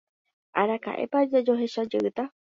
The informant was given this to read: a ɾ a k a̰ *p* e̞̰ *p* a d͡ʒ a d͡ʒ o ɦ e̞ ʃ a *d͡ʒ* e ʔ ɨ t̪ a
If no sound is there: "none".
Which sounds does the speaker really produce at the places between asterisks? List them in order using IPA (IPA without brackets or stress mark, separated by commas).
ʔ, p, d͡ʒ